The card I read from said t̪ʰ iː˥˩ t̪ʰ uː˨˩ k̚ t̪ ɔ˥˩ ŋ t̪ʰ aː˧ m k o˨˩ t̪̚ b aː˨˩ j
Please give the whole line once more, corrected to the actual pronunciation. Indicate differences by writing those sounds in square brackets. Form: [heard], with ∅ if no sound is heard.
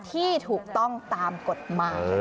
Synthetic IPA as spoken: t̪ʰ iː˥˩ t̪ʰ uː˨˩ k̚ t̪ ɔ˥˩ ŋ [t̪] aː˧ m k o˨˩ t̪̚ [m] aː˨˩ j